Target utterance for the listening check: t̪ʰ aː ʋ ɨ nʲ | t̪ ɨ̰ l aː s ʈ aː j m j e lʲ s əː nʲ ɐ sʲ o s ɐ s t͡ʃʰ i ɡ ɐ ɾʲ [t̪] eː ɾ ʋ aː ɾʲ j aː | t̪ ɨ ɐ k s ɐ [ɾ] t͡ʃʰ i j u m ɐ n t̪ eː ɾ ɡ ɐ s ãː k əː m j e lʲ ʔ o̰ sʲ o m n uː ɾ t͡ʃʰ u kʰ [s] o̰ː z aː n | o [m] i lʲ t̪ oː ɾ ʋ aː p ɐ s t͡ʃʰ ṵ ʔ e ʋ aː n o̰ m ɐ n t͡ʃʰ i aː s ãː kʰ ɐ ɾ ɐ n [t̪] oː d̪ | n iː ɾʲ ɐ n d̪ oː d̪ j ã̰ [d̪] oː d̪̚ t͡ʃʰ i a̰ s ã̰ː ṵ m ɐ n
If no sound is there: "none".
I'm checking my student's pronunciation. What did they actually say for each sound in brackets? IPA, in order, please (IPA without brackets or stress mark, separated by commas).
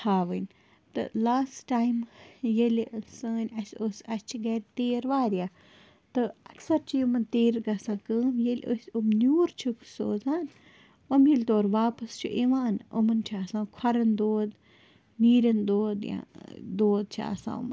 t̪, ɾ, s, m, d̪, d̪